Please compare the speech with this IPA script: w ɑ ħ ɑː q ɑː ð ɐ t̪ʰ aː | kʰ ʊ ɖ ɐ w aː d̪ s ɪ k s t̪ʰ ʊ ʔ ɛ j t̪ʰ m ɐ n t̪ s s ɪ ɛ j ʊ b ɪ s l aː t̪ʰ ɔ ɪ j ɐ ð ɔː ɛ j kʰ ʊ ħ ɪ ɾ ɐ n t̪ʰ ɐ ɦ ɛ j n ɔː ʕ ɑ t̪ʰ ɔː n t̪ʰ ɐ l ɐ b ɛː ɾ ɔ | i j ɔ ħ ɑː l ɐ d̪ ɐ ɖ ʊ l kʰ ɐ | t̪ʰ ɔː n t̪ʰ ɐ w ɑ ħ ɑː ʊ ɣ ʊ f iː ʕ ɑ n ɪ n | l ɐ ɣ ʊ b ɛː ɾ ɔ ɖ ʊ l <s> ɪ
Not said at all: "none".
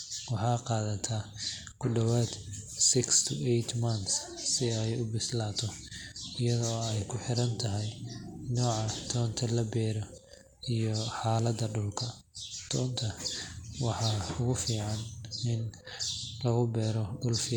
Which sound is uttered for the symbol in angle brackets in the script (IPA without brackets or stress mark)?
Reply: f